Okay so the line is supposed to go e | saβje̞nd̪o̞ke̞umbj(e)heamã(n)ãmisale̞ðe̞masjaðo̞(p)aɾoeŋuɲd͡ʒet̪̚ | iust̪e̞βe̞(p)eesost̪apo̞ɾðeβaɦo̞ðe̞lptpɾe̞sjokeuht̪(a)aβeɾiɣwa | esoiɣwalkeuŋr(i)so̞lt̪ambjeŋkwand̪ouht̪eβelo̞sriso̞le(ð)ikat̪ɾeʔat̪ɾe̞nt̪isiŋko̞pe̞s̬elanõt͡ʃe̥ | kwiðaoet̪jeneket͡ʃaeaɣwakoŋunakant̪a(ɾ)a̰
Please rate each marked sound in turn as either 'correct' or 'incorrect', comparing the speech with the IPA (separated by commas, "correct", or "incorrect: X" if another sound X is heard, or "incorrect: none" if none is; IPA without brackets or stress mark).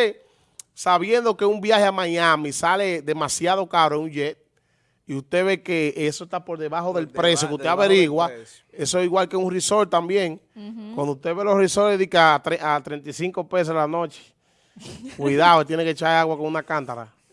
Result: incorrect: a, incorrect: ɲ, incorrect: k, incorrect: k, incorrect: e, correct, correct, correct